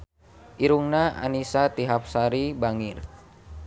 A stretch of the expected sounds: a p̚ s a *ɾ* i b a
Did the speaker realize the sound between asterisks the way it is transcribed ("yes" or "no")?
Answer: yes